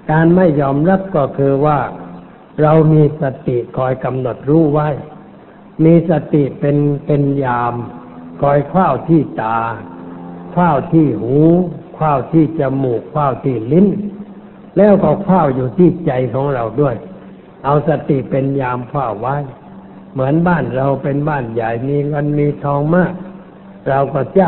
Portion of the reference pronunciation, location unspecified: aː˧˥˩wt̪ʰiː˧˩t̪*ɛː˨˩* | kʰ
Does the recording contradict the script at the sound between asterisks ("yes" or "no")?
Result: yes